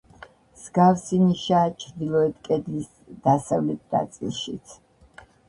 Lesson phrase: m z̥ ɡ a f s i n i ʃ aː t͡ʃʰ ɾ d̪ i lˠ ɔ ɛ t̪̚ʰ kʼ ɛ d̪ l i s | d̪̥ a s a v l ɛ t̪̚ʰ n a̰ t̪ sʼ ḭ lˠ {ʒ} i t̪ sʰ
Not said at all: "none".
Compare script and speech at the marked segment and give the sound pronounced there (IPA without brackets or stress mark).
ʃ